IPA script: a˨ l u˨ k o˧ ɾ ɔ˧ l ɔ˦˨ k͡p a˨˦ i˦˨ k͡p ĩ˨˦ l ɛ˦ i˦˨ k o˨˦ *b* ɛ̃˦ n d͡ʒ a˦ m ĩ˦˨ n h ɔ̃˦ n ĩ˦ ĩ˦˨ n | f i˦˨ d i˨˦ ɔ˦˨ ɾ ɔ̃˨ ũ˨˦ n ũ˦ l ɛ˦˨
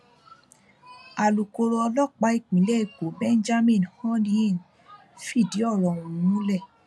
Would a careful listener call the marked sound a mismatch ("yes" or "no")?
no